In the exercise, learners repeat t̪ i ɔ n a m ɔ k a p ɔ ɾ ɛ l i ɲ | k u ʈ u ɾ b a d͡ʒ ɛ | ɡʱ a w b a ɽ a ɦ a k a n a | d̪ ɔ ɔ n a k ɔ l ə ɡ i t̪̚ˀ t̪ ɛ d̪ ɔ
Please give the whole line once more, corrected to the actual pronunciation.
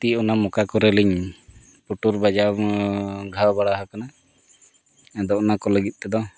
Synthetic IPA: t̪ i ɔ n a m ɔ k a k ɔ ɾ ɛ l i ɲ | p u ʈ u ɾ b a d͡ʒ a | ɡʱ a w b a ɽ a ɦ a k a n a | d̪ ɔ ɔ n a k ɔ l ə ɡ i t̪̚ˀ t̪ ɛ d̪ ɔ